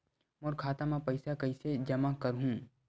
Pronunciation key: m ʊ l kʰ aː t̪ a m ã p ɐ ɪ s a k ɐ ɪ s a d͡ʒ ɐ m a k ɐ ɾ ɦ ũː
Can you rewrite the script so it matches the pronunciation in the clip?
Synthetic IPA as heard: m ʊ ɾ kʰ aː t̪ a m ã p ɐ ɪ s a k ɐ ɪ s e d͡ʒ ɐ m a k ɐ ɾ ɦ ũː